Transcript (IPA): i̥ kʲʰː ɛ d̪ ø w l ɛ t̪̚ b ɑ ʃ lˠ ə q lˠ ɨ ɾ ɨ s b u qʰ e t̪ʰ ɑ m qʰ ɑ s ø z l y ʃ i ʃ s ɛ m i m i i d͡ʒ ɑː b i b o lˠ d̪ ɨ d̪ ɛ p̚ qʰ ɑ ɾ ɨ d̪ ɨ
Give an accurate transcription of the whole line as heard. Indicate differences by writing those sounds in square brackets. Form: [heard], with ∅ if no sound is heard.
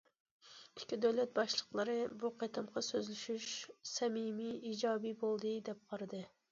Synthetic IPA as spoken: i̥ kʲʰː [i] d̪ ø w l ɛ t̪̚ b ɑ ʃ lˠ ə q lˠ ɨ ɾ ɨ [∅] b u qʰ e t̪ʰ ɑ m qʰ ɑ s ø z l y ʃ [y] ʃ s ɛ m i m i i d͡ʒ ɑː b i b o lˠ d̪ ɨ d̪ ɛ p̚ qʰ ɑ ɾ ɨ d̪ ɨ